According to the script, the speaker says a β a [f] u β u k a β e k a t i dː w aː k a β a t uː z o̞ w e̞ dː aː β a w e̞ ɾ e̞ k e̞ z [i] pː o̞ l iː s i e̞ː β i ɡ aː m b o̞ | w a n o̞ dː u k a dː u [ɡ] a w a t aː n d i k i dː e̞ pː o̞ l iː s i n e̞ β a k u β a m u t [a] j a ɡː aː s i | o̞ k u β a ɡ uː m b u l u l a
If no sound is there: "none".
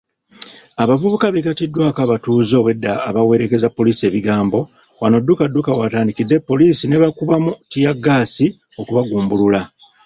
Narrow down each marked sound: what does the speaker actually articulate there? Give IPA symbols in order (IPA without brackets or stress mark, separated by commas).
v, a, k, i